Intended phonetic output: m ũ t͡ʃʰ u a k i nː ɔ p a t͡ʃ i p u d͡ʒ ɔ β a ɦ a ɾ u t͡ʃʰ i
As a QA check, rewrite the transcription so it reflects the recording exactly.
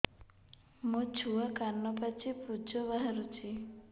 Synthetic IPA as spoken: m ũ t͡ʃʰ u a k a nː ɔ p a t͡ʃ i p u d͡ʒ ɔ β a ɦ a ɾ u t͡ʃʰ i